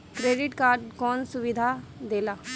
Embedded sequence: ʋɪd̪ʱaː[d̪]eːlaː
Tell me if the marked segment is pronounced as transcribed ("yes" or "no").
yes